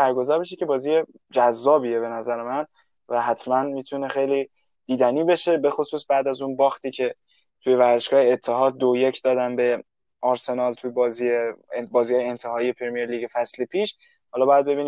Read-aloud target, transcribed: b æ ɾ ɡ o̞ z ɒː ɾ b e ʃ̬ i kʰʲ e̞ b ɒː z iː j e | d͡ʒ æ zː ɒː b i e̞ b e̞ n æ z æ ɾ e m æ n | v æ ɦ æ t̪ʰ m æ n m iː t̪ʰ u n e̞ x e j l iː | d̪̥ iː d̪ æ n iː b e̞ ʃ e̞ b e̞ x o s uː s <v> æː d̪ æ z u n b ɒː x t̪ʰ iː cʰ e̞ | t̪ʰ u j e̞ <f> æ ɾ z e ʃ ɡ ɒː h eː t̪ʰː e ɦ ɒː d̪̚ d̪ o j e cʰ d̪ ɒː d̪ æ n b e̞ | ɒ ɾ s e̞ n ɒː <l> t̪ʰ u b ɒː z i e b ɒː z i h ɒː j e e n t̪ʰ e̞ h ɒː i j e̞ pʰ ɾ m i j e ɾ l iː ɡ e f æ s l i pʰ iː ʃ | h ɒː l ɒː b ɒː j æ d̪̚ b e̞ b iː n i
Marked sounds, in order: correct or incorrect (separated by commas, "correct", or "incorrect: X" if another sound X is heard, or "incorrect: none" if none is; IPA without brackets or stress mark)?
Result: incorrect: b, incorrect: v, correct